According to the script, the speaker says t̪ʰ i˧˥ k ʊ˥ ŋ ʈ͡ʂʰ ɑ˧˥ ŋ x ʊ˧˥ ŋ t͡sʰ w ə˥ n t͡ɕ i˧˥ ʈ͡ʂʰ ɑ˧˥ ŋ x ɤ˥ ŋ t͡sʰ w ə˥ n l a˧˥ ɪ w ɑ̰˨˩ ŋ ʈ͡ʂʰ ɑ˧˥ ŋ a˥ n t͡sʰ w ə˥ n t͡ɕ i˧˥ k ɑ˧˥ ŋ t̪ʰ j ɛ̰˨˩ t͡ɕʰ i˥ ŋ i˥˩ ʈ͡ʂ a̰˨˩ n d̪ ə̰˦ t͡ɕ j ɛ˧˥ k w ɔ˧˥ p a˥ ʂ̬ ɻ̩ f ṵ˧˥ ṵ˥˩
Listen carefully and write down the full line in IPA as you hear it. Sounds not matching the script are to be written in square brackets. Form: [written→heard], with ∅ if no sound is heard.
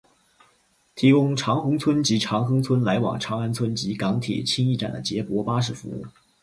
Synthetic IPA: t̪ʰ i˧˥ k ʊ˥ ŋ ʈ͡ʂʰ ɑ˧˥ ŋ x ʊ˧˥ ŋ t͡sʰ w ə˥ n t͡ɕ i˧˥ ʈ͡ʂʰ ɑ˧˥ ŋ x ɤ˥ ŋ t͡sʰ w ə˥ n l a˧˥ ɪ w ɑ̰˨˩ ŋ ʈ͡ʂʰ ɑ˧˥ ŋ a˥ n t͡sʰ w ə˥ n t͡ɕ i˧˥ k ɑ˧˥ ŋ t̪ʰ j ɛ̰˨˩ t͡ɕʰ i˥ ŋ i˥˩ ʈ͡ʂ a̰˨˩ n d̪ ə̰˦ t͡ɕ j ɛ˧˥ [k→p] w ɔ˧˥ p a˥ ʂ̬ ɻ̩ f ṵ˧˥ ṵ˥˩